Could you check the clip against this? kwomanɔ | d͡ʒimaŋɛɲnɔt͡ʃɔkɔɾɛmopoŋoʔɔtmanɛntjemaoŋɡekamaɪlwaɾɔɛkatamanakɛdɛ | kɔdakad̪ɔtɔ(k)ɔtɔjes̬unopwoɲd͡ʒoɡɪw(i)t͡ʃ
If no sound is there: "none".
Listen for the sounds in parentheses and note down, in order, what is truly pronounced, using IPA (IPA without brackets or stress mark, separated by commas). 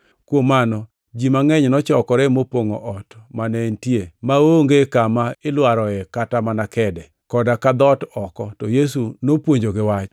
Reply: k, a